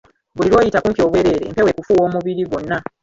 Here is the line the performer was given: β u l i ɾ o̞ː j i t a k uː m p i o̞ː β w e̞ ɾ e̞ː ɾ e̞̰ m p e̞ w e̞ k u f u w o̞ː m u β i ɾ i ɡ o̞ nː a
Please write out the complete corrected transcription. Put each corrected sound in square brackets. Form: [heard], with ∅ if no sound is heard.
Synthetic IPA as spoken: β u l i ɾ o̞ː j i t a k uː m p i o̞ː β w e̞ ɾ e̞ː ɾ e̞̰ m p e̞ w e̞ k u f u w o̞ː m u β i ɾ i ɡ o̞ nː a

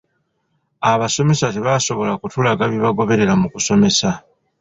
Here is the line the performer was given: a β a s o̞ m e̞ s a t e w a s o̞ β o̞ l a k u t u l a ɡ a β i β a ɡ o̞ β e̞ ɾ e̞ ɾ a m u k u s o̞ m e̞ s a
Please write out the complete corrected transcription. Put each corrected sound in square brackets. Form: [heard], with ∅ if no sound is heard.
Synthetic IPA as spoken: a β a s o̞ m e̞ s a t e [β] a s o̞ β o̞ l a k u t u l a ɡ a β i β a ɡ o̞ β e̞ ɾ e̞ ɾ a m u k u s o̞ m e̞ s a

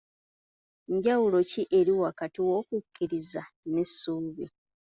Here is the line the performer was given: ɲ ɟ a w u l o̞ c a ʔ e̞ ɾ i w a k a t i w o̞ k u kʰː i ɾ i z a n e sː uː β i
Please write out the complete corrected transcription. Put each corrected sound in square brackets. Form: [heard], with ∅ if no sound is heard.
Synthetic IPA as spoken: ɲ ɟ a w u l o̞ c [i] ʔ e̞ ɾ i w a k a t i w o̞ k u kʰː i ɾ i z a n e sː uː β i

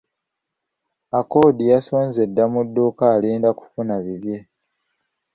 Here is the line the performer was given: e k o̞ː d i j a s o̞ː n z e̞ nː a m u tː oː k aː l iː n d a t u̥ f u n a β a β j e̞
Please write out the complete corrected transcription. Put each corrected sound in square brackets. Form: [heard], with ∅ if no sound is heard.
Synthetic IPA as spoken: [a] k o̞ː d i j a s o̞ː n z e̞ [dː] a m u [dː] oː k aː l iː n d a [k] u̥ f u n a β [i] β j e̞

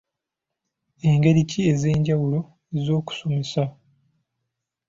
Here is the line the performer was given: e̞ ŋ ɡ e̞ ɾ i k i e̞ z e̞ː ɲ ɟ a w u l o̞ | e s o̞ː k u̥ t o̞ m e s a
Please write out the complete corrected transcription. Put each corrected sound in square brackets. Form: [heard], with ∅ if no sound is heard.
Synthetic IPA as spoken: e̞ ŋ ɡ e̞ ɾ i [c] i e̞ z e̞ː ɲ ɟ a w u l o̞ | e [z] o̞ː k u̥ [s] o̞ m e s a

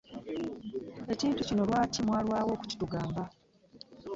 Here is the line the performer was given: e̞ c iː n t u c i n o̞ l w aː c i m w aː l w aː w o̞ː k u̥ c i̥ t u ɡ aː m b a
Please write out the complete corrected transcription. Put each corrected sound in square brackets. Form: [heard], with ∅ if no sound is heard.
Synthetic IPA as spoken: e̞ c iː n t u c i n o̞ l w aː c i m w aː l w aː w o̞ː k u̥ c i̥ t u ɡ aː m b a

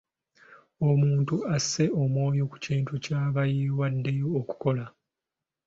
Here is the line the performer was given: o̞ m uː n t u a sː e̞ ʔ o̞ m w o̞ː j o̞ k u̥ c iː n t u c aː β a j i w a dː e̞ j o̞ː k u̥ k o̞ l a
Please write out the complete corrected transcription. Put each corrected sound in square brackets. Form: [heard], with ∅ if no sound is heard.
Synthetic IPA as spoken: o̞ m uː n t u a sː e̞ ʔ o̞ m w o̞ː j o̞ k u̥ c iː n t u c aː β a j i w a dː e̞ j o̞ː k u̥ k o̞ l a

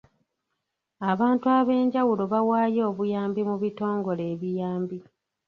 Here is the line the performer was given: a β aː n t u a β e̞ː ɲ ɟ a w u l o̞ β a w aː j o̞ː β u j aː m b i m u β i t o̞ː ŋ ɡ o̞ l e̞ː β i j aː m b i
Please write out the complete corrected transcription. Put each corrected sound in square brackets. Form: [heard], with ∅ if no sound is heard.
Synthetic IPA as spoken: a β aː n t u a β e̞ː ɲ ɟ a w u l o̞ β a w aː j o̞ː β u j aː m b i m u β i t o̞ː ŋ ɡ o̞ l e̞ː β i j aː m b i

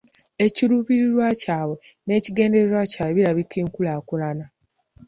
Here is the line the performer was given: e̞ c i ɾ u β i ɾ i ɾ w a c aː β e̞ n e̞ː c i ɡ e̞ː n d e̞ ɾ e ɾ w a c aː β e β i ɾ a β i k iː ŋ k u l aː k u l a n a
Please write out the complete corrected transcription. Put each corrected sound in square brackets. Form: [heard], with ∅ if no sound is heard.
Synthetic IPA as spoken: e̞ c i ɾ u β i ɾ i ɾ w a c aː β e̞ n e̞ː c i ɡ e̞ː n d e̞ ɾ e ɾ w a c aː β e β i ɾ a β i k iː ŋ k u l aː k u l a n a

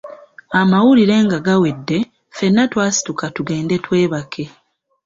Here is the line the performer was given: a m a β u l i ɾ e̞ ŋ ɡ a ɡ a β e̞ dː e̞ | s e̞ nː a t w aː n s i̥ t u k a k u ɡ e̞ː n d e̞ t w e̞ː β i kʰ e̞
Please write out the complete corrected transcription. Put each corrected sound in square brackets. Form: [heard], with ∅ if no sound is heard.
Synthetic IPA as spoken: a m a [w] u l i ɾ e̞ ŋ ɡ a ɡ a [w] e̞ dː e̞ | [f] e̞ nː a t w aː [∅] s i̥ t u k a [t] u ɡ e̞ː n d e̞ t w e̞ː β [a] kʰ e̞

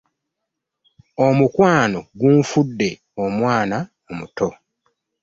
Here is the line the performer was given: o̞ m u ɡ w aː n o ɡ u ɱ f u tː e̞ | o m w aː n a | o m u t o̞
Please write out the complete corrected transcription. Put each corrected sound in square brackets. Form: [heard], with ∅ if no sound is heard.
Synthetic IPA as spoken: o̞ m u [k] w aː n o ɡ u ɱ f u [dː] e̞ | o m w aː n a | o m u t o̞

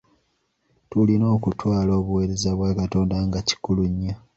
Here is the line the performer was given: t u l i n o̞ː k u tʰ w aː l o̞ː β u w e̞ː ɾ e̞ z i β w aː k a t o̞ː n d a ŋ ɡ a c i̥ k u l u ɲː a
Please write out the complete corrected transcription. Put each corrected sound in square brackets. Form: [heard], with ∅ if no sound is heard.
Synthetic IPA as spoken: t u l i n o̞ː k u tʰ w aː l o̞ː β u w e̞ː ɾ e̞ z [a] β w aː k a t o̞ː n d a ŋ ɡ a c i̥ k u l u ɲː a

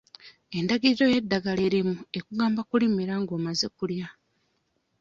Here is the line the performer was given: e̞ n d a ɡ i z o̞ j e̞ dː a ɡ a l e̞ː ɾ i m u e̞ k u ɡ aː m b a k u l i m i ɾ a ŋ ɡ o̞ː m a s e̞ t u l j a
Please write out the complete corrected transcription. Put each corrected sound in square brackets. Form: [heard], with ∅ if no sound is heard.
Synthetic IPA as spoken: e̞ n d a ɡ i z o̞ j e̞ dː a ɡ a l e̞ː ɾ i m u e̞ k u ɡ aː m b a k u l i m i ɾ a ŋ ɡ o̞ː m a [z] e̞ [k] u l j a

